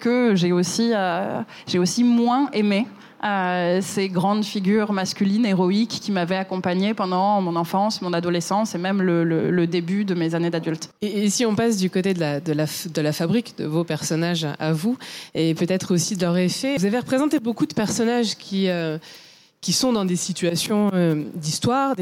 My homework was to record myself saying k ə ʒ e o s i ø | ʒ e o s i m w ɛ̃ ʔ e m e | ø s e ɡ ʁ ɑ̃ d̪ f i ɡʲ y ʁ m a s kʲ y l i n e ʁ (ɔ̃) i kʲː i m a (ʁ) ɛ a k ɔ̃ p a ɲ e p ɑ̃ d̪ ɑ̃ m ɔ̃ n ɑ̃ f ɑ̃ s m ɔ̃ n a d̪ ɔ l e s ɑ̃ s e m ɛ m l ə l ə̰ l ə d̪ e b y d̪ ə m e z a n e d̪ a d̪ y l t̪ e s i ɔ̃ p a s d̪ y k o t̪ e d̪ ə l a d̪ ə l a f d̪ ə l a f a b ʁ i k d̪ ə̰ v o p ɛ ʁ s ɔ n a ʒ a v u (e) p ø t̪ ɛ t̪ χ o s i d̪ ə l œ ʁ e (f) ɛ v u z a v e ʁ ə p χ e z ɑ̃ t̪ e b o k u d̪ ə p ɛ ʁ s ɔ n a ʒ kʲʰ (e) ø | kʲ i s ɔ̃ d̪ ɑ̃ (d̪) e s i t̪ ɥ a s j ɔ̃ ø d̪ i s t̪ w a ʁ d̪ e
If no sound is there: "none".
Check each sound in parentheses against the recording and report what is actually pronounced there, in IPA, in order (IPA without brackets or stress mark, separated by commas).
ɔ, v, e, f, i, d̪